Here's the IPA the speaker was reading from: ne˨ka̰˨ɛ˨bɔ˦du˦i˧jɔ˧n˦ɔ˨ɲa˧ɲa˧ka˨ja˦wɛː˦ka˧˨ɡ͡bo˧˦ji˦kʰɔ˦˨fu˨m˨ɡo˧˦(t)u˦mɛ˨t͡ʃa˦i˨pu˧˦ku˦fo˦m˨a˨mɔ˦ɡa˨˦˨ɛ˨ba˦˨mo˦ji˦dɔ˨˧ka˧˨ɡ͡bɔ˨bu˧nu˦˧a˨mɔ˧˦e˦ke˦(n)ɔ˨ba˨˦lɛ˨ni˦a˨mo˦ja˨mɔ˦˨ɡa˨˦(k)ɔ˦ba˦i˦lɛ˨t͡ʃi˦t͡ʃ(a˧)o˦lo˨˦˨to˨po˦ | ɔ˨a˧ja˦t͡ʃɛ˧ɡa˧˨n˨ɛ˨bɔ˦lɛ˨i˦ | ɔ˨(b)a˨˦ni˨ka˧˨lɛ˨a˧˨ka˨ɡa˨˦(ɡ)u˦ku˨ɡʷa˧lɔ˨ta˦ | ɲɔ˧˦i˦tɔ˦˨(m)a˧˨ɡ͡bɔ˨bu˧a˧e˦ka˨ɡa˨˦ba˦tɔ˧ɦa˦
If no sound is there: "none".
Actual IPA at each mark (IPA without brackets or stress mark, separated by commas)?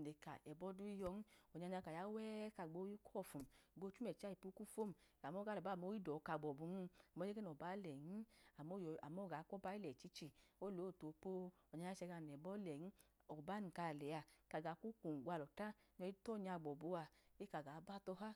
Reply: t͡ʃ, n, k, i˧, b, k, ɲ